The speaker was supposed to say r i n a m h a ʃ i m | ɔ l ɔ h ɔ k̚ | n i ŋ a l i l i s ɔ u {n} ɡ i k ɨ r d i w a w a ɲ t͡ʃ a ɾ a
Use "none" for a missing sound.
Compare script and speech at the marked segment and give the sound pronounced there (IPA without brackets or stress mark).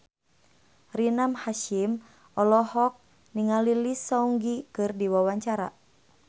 ŋ